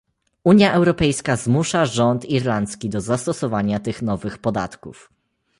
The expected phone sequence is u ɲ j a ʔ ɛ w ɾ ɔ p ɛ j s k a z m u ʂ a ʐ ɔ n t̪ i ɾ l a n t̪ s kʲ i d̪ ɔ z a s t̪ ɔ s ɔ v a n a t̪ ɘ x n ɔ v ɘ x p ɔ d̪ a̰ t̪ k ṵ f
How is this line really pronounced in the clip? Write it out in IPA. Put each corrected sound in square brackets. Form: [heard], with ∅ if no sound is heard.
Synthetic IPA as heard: u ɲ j a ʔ ɛ w ɾ ɔ p ɛ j s k a z m u ʂ a ʐ ɔ n t̪ i ɾ l a n t̪ s kʲ i d̪ ɔ z a s t̪ ɔ s ɔ v a [ɲ] a t̪ ɘ x n ɔ v ɘ x p ɔ d̪ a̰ t̪ k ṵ f